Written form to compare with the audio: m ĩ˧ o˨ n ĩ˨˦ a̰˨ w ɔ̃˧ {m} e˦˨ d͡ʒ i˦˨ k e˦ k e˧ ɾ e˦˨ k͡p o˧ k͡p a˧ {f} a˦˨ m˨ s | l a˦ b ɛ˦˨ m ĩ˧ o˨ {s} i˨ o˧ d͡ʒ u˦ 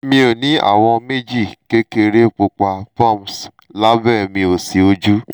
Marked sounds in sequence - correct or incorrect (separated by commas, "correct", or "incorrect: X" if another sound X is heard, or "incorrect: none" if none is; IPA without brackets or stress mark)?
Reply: correct, correct, correct